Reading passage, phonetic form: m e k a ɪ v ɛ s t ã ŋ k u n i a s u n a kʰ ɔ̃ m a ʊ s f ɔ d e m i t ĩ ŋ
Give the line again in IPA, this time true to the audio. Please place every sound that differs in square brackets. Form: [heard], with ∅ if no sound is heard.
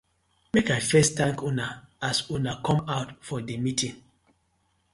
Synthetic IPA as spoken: m e k a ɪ [f] ɛ s t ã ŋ k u n [a] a s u n a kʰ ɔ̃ m a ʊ [t] f ɔ d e m i t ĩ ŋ

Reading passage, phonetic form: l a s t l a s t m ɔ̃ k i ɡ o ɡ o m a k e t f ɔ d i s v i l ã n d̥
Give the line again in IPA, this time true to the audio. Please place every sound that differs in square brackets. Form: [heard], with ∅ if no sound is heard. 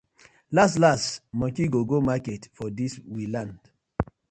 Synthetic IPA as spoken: l a s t l a s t m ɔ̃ k i ɡ o ɡ o m a k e t f ɔ d i s [w] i l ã n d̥

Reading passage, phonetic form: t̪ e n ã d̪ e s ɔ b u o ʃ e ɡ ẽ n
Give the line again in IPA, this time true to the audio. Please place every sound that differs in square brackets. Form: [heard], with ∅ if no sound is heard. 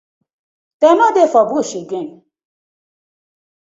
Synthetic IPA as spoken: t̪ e [m] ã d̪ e [f] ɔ b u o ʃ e ɡ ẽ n

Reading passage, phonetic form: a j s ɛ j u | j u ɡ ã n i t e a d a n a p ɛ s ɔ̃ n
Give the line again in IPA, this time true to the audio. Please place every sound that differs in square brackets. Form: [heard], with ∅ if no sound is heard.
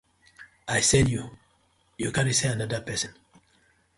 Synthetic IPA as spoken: a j s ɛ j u | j u [k] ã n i [s] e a [n] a [d] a p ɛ s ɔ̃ n

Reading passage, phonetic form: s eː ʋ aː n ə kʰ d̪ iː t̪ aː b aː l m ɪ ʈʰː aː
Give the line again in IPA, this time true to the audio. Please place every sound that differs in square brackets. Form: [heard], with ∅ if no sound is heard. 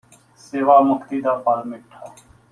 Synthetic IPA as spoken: s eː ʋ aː [m] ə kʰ [t̪] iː [d̪] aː [p] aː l m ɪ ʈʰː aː

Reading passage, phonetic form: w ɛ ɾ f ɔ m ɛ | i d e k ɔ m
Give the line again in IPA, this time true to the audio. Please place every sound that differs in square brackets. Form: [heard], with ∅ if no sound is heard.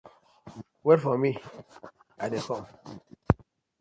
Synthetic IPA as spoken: w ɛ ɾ f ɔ m [i] | [a] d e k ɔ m

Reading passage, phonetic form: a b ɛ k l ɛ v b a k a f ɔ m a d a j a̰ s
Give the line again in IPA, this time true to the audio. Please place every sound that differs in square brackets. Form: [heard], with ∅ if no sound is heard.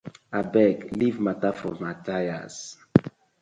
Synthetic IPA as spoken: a b ɛ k l [i] v [m] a [t] a f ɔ m a [t] a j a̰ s

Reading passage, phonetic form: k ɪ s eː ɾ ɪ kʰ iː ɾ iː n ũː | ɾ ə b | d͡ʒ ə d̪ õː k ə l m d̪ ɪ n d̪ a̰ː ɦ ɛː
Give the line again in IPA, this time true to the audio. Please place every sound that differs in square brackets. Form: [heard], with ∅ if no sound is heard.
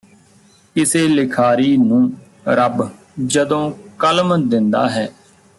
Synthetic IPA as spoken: k ɪ s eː [l] ɪ kʰ [aː] ɾ iː n ũː | ɾ ə b | d͡ʒ ə d̪ õː k ə l m d̪ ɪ n d̪ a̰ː ɦ ɛː

